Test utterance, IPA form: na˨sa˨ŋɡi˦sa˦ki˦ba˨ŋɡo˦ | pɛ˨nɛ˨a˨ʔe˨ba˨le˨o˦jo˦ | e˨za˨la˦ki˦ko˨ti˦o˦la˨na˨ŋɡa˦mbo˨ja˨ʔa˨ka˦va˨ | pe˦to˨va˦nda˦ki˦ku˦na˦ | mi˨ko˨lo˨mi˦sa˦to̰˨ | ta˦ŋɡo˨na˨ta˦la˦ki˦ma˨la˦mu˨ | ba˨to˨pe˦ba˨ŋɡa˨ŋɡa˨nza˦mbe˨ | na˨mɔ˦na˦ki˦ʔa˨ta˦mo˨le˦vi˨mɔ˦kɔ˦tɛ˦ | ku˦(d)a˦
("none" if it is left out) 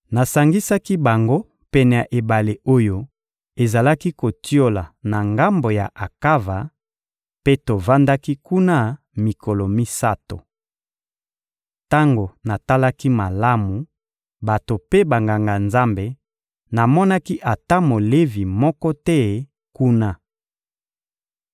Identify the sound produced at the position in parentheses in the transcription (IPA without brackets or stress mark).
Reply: n